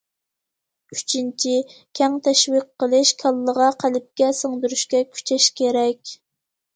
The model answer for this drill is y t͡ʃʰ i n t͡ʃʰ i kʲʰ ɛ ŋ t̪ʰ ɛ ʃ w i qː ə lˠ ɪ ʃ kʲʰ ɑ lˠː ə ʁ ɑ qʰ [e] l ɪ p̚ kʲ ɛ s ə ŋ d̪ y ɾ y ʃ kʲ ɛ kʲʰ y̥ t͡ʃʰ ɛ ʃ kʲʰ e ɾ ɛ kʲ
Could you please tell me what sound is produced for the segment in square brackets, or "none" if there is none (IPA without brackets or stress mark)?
æ